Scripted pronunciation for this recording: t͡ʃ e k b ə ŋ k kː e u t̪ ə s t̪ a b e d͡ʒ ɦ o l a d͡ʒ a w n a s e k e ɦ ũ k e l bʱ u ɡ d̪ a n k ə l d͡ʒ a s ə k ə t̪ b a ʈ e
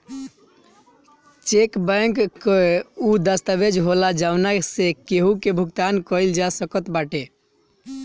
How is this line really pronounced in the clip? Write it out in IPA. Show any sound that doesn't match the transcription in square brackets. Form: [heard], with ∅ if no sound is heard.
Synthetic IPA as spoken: t͡ʃ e k b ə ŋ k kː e u [d̪] ə s t̪ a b e d͡ʒ ɦ o l a d͡ʒ a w n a s e k e ɦ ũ k e [∅] bʱ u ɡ [t̪] a n k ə l d͡ʒ a s ə k ə t̪ b a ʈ e